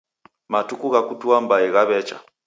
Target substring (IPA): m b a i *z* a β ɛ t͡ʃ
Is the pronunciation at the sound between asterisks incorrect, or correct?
incorrect